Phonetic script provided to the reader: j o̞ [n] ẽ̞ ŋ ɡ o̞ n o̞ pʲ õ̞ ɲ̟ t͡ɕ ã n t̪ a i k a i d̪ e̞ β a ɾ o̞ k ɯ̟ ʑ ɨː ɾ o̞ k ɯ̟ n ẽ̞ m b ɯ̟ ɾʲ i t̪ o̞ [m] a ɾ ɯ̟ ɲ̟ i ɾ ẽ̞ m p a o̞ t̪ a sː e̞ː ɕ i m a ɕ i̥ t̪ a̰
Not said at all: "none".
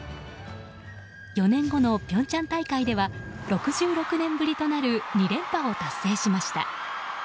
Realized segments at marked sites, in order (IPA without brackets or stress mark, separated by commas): n, n